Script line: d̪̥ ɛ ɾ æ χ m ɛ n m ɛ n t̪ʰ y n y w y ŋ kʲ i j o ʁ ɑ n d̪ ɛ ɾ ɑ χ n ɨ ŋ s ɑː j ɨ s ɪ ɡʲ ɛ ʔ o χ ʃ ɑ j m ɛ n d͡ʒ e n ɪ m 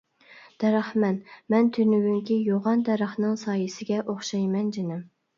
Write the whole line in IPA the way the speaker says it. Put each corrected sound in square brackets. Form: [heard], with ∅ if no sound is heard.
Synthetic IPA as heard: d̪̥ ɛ ɾ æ χ m ɛ n m ɛ n t̪ʰ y n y w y ŋ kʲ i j o ʁ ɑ n d̪ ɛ ɾ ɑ χ n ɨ ŋ s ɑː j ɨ s ɪ ɡʲ ɛ ʔ o χ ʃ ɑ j m ɛ n d͡ʒ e n ɪ m